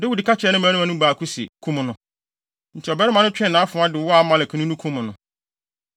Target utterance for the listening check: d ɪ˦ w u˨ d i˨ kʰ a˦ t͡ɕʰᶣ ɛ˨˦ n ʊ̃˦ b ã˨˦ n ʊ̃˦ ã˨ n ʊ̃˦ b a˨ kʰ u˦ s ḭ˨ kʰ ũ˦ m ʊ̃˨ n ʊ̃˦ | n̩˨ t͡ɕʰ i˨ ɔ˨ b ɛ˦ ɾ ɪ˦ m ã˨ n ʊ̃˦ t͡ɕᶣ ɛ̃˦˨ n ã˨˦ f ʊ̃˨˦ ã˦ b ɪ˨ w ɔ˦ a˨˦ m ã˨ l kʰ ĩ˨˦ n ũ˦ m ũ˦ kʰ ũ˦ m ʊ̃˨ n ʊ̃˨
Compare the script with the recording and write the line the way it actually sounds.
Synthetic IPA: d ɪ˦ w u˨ d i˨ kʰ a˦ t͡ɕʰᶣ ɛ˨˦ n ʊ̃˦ m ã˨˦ n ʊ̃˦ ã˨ n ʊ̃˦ b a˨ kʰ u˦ s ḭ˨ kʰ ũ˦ m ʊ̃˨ n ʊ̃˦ | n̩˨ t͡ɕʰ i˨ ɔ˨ b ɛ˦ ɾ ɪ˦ m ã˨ n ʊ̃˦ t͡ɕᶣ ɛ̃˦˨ n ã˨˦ f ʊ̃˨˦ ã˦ d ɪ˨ w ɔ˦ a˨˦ m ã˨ l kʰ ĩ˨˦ n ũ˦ n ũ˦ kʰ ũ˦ m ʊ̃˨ n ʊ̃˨